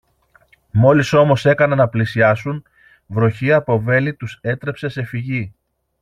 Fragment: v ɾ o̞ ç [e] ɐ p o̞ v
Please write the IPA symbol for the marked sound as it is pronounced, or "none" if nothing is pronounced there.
i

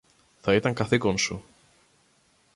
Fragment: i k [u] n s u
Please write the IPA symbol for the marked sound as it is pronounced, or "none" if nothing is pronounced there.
o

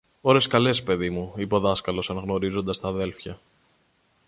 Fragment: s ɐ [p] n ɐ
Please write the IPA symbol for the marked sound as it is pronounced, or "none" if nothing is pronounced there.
none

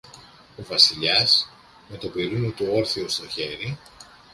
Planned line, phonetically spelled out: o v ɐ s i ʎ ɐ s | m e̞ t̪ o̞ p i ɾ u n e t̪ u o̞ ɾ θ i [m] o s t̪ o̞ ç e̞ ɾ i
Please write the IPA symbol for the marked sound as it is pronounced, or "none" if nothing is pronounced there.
none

